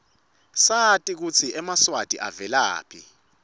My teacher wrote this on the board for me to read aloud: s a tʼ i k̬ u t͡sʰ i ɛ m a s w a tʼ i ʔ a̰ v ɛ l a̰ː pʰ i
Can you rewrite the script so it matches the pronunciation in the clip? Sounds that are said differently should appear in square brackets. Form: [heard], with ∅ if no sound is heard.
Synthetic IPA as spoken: s a tʼ i k̬ u t͡sʰ i ɛ m a s w a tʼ i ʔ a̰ v ɛ l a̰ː pʰ i